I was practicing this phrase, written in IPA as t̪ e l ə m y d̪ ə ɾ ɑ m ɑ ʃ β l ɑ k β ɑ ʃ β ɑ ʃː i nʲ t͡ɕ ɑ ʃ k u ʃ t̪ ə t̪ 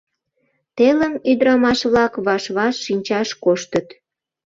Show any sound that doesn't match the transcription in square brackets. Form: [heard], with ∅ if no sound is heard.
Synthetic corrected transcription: t̪ e l ə m y d̪ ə ɾ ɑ m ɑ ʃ β l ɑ k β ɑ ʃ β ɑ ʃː i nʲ t͡ɕ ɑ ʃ k [o] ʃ t̪ ə t̪